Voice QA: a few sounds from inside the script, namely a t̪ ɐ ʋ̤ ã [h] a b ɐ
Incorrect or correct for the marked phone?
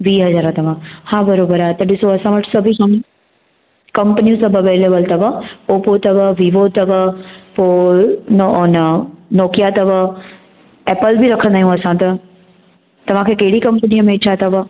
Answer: correct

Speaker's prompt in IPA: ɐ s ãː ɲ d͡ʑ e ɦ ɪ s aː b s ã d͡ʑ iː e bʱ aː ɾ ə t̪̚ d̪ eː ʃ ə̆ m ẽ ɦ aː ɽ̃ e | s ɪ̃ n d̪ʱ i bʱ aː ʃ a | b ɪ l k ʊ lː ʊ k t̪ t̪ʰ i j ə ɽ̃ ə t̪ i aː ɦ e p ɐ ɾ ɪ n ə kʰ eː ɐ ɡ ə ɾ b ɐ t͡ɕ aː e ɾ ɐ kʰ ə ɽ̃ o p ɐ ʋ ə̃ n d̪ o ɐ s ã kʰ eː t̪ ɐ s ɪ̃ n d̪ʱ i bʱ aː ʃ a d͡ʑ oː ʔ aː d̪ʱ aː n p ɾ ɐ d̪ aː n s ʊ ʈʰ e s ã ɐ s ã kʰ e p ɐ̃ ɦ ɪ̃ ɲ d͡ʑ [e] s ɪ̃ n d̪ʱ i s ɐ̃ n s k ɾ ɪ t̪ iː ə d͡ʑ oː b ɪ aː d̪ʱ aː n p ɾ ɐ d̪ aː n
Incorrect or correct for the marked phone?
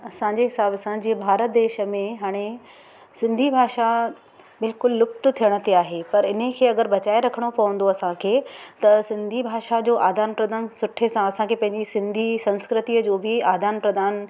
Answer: incorrect: i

